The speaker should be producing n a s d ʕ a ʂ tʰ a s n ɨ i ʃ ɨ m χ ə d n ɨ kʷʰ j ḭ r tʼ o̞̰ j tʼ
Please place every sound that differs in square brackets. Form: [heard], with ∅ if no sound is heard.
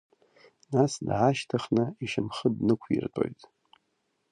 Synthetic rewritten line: n a s d ʕ a [ʃ] tʰ a [χ] n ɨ i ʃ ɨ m χ ə d n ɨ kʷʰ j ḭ r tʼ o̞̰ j tʼ